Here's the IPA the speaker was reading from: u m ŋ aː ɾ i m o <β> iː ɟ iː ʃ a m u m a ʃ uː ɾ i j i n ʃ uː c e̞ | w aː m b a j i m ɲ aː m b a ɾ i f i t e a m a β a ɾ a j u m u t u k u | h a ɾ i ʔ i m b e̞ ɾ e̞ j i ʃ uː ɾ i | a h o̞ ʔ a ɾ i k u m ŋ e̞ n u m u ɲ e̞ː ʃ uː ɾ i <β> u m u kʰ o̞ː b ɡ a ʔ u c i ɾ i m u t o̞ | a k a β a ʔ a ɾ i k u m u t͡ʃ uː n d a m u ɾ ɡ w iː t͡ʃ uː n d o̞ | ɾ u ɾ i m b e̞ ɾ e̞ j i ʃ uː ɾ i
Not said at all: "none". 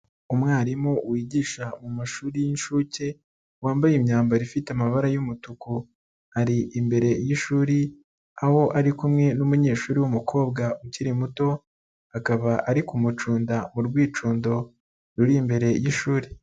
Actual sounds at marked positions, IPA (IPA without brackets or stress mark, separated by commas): w, w